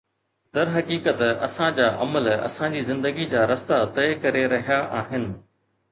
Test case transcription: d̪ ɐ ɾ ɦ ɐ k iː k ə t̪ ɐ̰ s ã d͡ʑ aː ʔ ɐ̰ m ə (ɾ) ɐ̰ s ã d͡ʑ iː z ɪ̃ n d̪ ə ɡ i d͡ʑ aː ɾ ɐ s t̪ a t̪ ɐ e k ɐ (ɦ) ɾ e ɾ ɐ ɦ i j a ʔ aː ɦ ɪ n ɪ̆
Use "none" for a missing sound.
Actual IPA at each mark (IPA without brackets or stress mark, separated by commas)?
l, none